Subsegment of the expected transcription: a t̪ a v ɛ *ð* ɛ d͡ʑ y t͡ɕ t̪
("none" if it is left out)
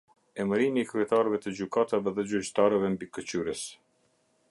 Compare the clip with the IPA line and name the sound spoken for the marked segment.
ð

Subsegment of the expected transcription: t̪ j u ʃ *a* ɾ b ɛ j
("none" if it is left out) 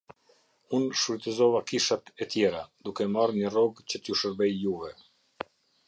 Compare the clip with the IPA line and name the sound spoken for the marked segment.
ə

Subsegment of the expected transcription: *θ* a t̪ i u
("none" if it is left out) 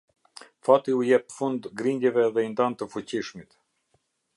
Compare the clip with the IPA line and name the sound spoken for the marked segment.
f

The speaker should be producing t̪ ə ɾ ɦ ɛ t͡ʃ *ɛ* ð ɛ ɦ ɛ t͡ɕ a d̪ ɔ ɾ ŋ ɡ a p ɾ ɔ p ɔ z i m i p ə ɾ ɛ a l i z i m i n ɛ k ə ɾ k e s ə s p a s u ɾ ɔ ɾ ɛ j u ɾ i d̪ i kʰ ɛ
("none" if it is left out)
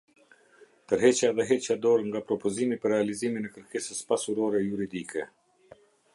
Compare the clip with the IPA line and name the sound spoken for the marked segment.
a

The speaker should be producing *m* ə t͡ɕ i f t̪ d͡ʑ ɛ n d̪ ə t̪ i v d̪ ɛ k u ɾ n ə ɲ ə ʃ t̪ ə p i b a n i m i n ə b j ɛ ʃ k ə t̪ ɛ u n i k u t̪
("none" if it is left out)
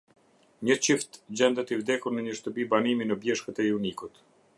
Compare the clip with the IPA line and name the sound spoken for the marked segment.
ɲ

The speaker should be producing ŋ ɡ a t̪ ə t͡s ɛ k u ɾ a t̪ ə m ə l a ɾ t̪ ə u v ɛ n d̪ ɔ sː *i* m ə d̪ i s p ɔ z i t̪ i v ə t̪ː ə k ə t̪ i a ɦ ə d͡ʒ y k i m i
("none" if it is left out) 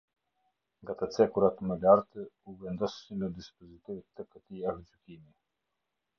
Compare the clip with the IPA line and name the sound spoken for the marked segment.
i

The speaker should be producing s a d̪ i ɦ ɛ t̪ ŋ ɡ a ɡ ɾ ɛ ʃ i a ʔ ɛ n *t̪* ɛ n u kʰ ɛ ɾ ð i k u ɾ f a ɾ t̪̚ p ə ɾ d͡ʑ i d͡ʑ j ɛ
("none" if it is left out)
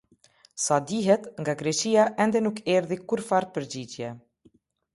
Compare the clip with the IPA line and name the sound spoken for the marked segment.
d̪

